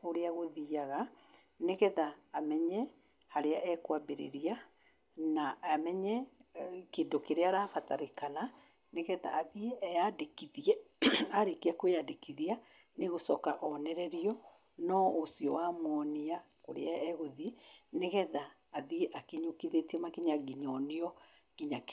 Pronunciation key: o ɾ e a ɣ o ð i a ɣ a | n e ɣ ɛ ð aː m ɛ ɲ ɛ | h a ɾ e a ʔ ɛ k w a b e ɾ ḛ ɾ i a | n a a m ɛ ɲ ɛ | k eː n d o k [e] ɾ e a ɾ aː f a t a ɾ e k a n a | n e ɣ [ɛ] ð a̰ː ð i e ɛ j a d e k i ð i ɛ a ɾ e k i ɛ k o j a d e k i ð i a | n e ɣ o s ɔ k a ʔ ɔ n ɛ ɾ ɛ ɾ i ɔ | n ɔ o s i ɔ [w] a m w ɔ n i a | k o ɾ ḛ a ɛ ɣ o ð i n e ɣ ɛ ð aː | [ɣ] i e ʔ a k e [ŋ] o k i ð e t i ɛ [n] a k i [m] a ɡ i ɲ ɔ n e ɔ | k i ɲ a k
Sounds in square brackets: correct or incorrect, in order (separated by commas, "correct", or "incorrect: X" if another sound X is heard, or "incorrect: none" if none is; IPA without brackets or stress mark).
correct, correct, correct, incorrect: ð, incorrect: ɲ, incorrect: m, incorrect: ɲ